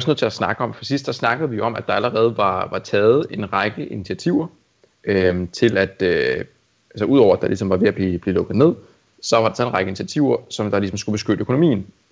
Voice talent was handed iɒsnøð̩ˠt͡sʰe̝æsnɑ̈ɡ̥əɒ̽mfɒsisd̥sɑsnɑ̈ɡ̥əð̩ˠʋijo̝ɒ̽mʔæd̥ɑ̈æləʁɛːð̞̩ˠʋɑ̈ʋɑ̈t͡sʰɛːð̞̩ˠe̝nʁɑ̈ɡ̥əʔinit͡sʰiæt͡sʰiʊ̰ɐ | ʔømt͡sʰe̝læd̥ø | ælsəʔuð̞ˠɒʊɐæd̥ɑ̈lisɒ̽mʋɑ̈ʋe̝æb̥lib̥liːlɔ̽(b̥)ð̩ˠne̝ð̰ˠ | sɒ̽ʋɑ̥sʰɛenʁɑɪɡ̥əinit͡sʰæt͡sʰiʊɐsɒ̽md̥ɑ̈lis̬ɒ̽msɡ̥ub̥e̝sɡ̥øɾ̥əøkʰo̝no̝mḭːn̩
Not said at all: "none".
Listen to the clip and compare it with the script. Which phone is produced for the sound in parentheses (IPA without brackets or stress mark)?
ɡ̥